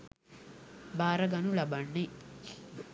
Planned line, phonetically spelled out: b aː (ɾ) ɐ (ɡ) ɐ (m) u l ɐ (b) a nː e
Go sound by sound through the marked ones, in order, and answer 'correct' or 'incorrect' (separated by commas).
correct, correct, incorrect, correct